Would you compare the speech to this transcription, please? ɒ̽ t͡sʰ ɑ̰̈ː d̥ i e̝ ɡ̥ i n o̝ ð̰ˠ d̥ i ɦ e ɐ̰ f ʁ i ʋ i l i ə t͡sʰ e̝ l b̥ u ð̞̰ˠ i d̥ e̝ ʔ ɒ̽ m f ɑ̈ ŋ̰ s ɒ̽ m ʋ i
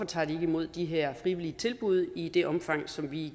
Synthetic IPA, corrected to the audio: ɒ̽ t͡sʰ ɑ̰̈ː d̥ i e̝ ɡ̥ i m o̝ ð̰ˠ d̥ i ɦ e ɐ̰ f ʁ i ʋ i l i ə t͡sʰ e̝ l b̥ u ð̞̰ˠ i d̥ e̝ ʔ ɒ̽ m f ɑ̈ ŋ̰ s ɒ̽ m ʋ i